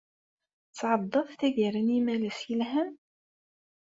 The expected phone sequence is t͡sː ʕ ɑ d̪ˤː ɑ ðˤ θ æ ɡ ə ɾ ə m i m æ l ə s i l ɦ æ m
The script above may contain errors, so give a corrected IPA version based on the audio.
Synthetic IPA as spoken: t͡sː ʕ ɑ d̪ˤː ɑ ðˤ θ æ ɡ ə ɾ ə n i m æ l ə s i l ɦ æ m